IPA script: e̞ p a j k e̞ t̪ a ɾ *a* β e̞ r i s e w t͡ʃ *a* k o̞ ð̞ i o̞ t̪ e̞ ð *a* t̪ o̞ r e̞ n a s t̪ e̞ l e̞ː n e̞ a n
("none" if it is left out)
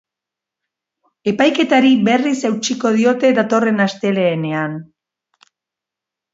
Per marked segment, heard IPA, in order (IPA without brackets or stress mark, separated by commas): i, i, a